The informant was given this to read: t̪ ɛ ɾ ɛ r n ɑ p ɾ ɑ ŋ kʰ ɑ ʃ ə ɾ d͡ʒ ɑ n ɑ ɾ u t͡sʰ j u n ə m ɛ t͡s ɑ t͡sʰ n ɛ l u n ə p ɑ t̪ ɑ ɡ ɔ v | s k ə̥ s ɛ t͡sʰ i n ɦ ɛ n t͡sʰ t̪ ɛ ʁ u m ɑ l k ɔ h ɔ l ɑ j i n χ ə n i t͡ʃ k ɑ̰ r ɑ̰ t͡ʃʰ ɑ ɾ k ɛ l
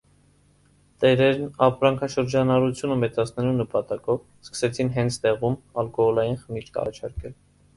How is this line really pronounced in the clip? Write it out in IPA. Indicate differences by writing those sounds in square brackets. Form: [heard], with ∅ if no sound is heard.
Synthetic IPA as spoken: t̪ ɛ ɾ ɛ [ɾ] n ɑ p ɾ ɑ ŋ kʰ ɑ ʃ ə ɾ d͡ʒ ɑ n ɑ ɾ u t͡sʰ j u n ə m ɛ t͡s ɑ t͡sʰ n ɛ l u n ə p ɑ t̪ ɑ [k] ɔ v | s k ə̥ s ɛ t͡sʰ i n ɦ ɛ n t͡sʰ t̪ ɛ ʁ u m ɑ l k ɔ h ɔ l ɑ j i n χ ə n i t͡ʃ k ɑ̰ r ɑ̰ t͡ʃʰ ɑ ɾ k ɛ l